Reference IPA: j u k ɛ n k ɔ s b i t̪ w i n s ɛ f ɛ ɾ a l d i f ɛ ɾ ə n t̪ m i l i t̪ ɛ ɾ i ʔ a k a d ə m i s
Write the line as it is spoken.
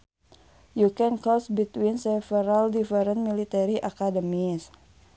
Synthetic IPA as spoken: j u k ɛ n k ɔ s b i t̪ w i n s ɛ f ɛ ɾ a l d i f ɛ ɾ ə n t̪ m i l i t̪ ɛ ɾ i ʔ a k a d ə m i s